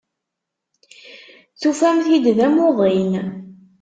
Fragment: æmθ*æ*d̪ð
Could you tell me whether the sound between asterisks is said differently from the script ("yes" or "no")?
yes